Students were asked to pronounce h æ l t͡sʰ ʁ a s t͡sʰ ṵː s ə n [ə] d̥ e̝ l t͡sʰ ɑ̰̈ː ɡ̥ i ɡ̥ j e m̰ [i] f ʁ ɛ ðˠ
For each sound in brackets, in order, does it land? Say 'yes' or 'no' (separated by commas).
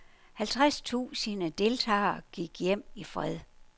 yes, yes